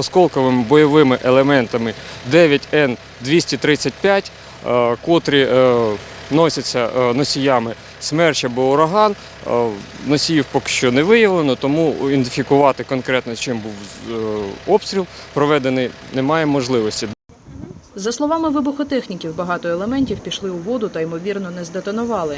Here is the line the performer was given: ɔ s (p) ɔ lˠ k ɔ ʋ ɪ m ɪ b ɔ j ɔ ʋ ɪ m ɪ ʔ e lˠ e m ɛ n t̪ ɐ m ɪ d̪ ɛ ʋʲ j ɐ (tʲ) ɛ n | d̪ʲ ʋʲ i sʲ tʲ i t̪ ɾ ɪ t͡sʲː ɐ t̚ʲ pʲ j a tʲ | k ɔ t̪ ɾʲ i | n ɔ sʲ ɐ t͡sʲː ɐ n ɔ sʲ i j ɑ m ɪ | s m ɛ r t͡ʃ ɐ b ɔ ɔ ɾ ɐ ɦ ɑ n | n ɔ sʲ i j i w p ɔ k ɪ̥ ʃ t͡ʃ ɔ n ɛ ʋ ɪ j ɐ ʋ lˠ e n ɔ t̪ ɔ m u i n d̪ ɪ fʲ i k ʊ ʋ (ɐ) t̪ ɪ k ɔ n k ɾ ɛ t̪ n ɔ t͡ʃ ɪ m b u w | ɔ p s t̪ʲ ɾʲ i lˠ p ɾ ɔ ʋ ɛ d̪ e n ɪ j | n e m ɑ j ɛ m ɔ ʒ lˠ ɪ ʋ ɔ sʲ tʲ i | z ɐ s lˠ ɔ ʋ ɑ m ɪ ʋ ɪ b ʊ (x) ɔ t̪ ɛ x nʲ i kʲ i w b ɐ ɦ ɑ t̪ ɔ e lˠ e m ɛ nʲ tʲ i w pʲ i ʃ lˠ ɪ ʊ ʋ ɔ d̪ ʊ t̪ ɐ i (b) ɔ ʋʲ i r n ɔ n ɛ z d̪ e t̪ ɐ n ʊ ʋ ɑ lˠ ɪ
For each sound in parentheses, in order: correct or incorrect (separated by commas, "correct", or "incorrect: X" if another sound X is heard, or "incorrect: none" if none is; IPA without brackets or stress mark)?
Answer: incorrect: k, correct, incorrect: ɑ, correct, incorrect: m